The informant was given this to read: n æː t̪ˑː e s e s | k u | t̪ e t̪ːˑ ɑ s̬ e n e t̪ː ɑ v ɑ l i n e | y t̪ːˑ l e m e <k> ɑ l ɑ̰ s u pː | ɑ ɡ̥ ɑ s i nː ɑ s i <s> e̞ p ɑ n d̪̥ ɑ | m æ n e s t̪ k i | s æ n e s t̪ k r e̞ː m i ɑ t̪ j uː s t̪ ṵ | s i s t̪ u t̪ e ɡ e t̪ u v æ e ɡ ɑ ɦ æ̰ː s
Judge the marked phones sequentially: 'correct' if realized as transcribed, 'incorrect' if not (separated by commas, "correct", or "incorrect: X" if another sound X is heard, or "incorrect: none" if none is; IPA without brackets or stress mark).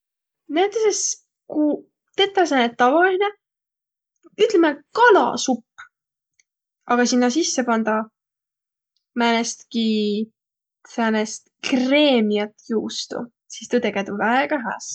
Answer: correct, incorrect: sː